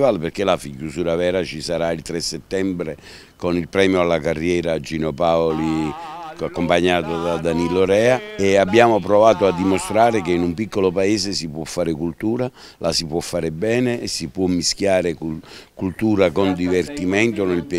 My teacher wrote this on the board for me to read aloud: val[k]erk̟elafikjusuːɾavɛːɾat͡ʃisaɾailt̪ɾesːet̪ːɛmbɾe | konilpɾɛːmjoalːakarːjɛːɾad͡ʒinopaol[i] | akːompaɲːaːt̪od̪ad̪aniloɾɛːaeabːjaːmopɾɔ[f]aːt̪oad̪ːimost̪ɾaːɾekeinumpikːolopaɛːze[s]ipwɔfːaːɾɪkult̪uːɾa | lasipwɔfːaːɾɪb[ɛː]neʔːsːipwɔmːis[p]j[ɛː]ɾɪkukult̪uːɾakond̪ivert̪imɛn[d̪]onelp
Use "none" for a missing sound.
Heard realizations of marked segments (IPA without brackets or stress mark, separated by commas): p, i, v, s, ɛː, k, aː, t̪